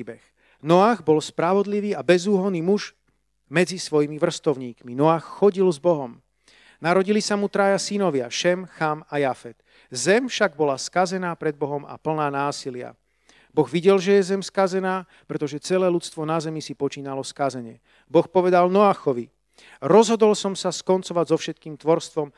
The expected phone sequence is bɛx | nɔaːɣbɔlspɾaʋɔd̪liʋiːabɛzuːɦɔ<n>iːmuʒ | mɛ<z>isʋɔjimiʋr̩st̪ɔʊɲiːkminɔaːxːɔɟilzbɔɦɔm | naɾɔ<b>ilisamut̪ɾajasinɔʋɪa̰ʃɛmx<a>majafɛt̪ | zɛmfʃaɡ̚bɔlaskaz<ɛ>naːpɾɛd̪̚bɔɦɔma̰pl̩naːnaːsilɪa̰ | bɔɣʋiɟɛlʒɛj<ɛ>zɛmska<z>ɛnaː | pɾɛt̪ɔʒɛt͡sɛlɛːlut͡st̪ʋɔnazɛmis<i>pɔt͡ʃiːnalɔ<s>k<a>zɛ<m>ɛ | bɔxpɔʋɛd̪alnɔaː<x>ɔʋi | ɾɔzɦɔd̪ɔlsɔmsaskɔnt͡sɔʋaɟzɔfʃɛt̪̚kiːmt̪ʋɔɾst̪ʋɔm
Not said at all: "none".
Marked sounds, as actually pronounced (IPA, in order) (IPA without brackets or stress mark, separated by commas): n, d͡z, ɟ, a, ɛ, ɛ, z, i, s, a, ɲ, x